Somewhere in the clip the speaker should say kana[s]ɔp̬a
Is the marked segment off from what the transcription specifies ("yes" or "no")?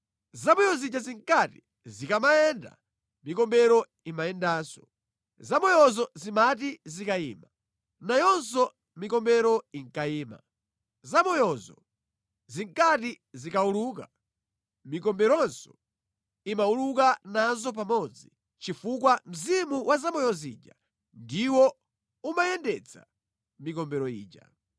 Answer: yes